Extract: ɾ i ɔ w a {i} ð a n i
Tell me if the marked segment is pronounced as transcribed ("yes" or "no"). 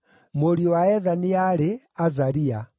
no